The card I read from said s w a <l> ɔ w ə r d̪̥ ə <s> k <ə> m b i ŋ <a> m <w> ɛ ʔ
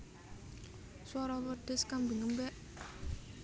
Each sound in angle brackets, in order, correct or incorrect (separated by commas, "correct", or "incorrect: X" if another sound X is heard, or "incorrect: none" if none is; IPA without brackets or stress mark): incorrect: ɾ, correct, incorrect: a, incorrect: ə, incorrect: b